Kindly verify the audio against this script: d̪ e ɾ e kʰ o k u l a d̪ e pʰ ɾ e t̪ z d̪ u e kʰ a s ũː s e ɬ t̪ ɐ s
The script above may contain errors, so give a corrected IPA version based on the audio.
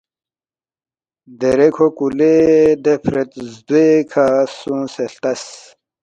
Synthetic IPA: d̪ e ɾ e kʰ o k u l e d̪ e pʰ ɾ e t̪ z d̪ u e kʰ a s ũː s e ɬ t̪ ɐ s

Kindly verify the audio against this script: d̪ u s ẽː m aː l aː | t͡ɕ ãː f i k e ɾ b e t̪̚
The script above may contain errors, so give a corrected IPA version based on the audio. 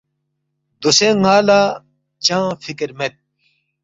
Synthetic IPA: d̪ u s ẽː ŋ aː l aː | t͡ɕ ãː f i k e ɾ m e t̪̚

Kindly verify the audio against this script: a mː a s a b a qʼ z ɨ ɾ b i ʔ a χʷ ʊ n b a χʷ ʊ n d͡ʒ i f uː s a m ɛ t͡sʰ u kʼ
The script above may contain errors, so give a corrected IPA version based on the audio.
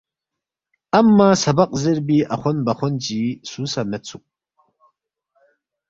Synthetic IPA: a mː a s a b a qʼ z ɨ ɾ b i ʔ a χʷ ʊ n b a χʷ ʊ n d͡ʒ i s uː s a m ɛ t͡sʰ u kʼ

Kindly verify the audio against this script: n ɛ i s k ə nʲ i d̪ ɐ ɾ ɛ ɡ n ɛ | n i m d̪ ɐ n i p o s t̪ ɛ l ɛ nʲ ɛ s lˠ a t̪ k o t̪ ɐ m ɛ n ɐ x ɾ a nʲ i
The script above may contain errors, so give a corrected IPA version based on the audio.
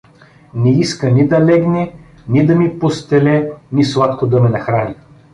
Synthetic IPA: n ɛ i s k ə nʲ i d̪ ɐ l ɛ ɡ n ɛ | n i d̪ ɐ m i p o s t̪ ɛ l ɛ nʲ i s lˠ a t̪ k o d̪ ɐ m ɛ n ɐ x ɾ a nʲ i

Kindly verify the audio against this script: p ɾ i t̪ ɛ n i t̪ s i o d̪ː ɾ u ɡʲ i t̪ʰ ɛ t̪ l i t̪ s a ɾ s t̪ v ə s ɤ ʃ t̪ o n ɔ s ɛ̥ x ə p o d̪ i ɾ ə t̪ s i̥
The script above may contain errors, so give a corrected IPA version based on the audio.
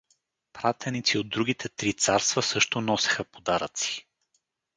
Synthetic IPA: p ɾ a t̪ ɛ n i t̪ s i o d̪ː ɾ u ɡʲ i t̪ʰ ɛ t̪ ɾ i t̪ s a ɾ s t̪ v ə s ɤ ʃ t̪ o n ɔ s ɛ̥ x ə p o d̪ a ɾ ə t̪ s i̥

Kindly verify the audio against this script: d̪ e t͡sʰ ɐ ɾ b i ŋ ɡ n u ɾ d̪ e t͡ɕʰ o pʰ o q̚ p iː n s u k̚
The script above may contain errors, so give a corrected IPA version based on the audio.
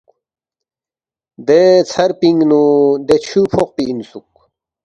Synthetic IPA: d̪ e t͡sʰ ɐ ɾ p i ŋ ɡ n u d̪ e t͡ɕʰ u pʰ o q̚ p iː n s u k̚

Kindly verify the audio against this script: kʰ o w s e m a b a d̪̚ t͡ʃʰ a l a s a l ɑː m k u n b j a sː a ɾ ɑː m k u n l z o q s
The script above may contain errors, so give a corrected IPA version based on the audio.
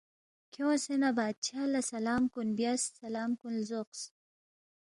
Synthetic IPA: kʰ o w s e n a b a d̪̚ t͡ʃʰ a l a s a l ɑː m k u n b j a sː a l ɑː m k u n l z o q s

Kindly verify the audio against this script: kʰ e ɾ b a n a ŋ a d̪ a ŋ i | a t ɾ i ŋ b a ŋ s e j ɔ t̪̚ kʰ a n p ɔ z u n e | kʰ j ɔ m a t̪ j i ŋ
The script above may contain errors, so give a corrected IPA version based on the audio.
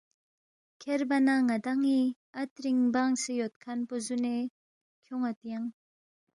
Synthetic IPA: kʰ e ɾ b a n a ŋ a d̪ a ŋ i | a t ɾ i ŋ b a ŋ s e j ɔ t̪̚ kʰ a n p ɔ z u n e | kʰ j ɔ ŋ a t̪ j a ŋ

